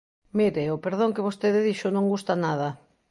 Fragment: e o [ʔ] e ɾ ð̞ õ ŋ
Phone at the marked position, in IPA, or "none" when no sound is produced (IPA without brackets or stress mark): p